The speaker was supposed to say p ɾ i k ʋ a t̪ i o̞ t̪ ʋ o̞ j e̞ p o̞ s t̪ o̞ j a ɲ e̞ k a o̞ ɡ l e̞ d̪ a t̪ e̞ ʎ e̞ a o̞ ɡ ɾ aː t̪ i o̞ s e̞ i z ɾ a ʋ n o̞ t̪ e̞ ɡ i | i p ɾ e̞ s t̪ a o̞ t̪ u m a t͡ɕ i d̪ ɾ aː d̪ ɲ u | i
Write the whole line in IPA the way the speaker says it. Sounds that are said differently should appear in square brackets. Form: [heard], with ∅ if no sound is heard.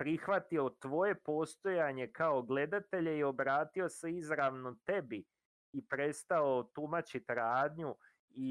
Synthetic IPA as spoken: p ɾ i [x] ʋ a t̪ i o̞ t̪ ʋ o̞ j e̞ p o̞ s t̪ o̞ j a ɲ e̞ k a o̞ ɡ l e̞ d̪ a t̪ e̞ ʎ e̞ [i] o̞ [b] ɾ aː t̪ i o̞ s e̞ i z ɾ a ʋ n o̞ t̪ e̞ [b] i | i p ɾ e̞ s t̪ a o̞ t̪ u m a t͡ɕ i [t̪] ɾ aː d̪ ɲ u | i